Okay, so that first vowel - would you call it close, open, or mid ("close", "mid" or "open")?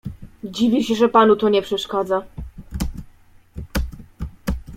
close